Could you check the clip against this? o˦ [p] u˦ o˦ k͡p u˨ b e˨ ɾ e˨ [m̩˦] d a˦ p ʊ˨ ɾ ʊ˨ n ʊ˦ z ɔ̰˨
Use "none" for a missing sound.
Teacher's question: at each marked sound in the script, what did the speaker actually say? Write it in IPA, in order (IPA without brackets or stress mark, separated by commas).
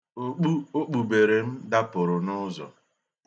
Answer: k͡p, m̩˦